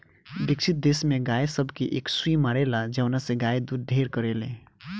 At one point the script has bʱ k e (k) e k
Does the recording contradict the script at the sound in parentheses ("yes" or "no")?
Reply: yes